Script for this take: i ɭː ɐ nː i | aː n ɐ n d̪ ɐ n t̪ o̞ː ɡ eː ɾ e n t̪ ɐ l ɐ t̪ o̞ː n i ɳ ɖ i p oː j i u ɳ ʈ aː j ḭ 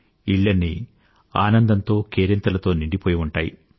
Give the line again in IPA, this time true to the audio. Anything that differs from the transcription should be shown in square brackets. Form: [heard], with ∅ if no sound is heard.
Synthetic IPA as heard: i ɭː ɐ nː i | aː n ɐ n d̪ ɐ n t̪ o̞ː [k] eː ɾ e n t̪ ɐ l ɐ t̪ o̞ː n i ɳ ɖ i p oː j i u ɳ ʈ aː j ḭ